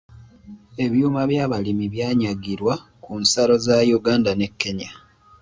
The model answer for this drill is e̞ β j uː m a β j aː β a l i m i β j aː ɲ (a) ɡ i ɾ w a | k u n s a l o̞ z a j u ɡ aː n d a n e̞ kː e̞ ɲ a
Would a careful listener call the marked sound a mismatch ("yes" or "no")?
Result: no